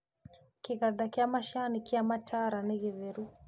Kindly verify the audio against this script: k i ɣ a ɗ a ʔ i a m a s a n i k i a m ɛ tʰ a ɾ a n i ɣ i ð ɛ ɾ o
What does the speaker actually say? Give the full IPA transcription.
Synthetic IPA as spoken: k i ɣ a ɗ a k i a m a ʃ a n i k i a m a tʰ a ɾ a n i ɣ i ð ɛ ɾ u